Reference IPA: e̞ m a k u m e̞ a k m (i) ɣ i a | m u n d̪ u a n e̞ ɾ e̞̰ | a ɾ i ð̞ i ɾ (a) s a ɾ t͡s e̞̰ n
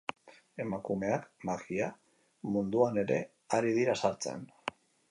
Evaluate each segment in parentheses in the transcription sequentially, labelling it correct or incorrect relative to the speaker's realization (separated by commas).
incorrect, correct